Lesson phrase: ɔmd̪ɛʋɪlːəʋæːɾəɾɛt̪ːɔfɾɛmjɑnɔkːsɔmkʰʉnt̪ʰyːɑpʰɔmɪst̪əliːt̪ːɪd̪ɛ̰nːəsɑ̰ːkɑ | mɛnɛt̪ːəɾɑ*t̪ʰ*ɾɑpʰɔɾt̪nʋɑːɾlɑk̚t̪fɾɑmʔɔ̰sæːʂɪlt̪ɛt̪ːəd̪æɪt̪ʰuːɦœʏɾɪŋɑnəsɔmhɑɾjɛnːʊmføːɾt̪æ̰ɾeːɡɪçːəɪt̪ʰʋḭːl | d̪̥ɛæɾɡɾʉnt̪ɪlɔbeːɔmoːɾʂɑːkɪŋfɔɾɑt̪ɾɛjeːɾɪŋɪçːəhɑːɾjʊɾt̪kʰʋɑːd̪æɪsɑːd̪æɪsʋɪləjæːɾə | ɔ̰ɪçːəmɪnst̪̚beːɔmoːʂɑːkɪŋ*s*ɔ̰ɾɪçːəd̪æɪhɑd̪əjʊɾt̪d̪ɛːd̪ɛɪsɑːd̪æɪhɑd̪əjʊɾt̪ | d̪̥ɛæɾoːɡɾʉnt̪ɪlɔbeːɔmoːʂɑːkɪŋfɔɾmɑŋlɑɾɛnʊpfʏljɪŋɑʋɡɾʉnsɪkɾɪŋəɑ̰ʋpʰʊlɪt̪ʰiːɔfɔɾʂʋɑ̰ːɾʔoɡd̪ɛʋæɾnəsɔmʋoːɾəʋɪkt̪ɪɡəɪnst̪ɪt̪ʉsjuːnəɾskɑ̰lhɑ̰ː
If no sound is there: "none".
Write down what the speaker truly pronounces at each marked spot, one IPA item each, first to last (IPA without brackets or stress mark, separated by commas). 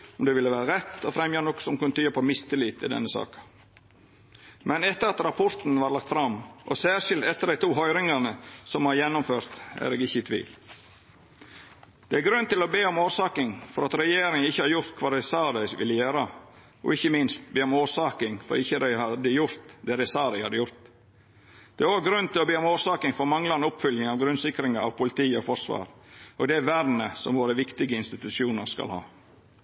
t̪, f